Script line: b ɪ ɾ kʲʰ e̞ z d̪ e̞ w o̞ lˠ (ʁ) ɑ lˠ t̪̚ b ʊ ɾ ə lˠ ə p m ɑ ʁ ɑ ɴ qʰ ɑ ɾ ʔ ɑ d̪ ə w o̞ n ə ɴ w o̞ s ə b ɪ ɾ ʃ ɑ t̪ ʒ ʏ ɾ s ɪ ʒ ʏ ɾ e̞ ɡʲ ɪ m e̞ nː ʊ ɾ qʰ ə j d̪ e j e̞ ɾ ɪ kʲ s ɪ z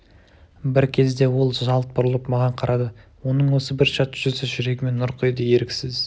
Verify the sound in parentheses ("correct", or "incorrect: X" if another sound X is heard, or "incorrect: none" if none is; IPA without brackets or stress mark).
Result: incorrect: ʒ